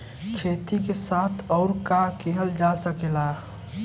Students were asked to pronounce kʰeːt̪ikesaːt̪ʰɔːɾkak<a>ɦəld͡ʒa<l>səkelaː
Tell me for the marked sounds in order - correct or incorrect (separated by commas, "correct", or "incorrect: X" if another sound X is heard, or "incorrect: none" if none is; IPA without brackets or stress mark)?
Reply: incorrect: e, incorrect: none